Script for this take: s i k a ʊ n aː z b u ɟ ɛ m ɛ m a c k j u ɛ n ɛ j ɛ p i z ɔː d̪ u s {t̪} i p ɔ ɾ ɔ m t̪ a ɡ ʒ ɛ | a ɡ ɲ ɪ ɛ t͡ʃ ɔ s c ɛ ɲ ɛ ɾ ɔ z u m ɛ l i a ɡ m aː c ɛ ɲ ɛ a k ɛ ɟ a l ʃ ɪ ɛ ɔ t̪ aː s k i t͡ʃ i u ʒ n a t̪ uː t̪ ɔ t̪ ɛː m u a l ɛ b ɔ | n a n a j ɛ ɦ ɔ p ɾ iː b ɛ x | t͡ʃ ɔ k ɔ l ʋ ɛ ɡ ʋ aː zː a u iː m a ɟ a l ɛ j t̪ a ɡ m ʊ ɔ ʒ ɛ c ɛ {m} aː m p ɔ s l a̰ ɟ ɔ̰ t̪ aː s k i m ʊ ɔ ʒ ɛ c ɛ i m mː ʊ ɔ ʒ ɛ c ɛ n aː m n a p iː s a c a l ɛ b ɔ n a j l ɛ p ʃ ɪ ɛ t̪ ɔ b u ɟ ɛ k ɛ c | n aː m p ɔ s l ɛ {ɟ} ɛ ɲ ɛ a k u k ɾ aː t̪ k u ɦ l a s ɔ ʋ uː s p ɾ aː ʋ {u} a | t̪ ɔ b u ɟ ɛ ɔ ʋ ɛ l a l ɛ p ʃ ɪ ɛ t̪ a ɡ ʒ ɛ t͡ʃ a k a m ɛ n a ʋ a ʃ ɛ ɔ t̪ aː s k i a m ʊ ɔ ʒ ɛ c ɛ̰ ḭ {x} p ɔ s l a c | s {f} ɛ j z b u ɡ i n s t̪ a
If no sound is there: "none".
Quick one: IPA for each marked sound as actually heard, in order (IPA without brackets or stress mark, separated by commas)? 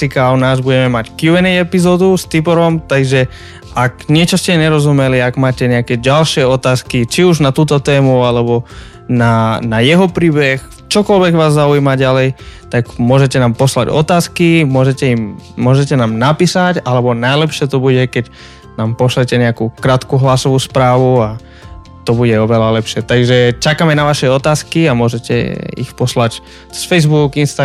t̪, n, c, u, x, f